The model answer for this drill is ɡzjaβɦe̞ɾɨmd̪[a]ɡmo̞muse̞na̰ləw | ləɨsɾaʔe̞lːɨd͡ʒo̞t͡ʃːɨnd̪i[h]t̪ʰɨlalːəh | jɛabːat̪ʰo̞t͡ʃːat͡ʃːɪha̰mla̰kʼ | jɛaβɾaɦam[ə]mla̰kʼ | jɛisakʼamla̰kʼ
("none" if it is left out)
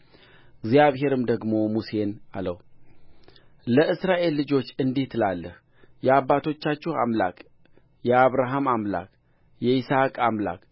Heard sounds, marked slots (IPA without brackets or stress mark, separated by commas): ə, h, a